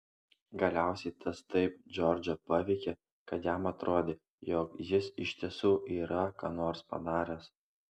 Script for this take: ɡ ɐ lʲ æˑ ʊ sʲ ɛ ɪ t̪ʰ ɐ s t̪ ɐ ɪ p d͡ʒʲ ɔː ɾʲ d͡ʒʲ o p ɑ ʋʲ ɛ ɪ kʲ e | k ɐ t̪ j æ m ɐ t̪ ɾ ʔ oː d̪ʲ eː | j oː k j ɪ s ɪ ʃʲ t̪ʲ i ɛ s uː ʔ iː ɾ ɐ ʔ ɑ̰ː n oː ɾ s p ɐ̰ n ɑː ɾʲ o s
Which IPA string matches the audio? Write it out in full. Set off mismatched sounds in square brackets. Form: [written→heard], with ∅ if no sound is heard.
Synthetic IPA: ɡ ɐ lʲ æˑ ʊ sʲ ɛ ɪ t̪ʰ ɐ s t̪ ɐ ɪ p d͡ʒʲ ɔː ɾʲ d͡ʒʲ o p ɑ ʋʲ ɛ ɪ kʲ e | k ɐ t̪ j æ m ɐ t̪ ɾ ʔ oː d̪ʲ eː | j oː k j ɪ s ɪ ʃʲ t̪ʲ i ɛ s uː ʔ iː ɾ ɐ [ʔ→k] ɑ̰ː n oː ɾ s p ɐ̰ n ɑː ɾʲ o s

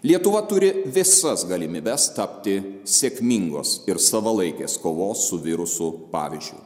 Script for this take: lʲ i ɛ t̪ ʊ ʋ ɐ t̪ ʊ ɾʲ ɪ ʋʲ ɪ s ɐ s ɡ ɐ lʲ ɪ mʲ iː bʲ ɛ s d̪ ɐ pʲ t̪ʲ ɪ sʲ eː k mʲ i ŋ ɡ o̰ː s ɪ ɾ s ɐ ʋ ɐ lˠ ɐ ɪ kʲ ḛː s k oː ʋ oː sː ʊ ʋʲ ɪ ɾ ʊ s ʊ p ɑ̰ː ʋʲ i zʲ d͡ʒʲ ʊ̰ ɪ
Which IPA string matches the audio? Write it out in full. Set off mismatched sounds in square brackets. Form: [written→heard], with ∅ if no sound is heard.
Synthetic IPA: lʲ i ɛ t̪ ʊ ʋ ɐ t̪ ʊ ɾʲ ɪ ʋʲ ɪ s ɐ s ɡ ɐ lʲ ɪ mʲ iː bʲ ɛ s [d̪→t̪] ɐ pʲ t̪ʲ ɪ sʲ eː k mʲ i ŋ ɡ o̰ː s ɪ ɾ s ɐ ʋ ɐ lˠ ɐ ɪ kʲ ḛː s k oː ʋ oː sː ʊ ʋʲ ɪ ɾ ʊ s ʊ p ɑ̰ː ʋʲ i zʲ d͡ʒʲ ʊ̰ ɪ

